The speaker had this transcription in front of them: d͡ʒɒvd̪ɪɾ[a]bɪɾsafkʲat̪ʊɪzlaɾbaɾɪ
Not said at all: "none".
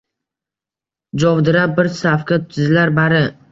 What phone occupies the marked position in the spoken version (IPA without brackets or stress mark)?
a